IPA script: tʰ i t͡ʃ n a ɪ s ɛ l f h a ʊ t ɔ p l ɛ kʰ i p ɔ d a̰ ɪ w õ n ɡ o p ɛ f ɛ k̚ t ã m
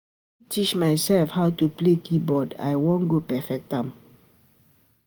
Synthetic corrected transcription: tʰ i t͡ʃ m a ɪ s ɛ l f h a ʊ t u p l e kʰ i b ɔ d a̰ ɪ w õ n ɡ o p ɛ f ɛ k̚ t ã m